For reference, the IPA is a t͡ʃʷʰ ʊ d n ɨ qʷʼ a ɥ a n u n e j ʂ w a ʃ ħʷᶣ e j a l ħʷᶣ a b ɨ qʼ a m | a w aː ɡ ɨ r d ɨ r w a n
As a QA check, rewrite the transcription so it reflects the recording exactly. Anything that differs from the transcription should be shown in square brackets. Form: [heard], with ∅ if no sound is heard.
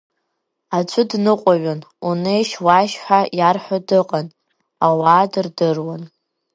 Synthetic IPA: a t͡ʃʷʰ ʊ d n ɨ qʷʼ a ɥ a n u n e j [ʃ] w a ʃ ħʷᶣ [a] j a [r] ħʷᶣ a [d] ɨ qʼ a [n] | a w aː [d] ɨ r d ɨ r w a n